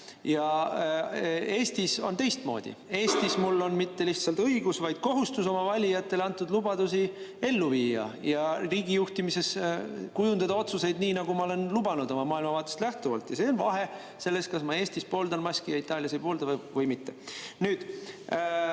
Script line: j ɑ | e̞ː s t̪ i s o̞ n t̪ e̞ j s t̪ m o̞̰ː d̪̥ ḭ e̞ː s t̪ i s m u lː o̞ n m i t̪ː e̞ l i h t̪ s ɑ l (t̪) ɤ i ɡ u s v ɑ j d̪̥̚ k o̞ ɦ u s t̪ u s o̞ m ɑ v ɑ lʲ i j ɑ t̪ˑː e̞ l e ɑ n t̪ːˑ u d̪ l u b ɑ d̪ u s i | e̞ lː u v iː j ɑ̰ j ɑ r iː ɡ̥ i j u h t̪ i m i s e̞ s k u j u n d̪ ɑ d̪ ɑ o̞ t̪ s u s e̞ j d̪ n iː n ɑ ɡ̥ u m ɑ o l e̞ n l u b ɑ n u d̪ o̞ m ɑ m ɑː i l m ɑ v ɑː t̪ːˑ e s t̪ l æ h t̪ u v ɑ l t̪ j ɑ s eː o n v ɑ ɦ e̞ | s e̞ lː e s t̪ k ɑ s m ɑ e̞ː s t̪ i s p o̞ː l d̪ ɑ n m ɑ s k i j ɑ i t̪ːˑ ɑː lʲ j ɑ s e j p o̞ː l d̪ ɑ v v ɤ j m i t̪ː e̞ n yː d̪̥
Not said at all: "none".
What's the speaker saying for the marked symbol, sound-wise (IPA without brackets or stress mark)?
t̪